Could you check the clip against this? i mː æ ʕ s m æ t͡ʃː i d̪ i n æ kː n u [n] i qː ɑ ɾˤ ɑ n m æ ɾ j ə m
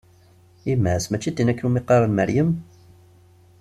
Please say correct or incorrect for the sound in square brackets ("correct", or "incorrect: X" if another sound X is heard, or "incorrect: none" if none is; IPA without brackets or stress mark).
incorrect: m